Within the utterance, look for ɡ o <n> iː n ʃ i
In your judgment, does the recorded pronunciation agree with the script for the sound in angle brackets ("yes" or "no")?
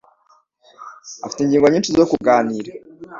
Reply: no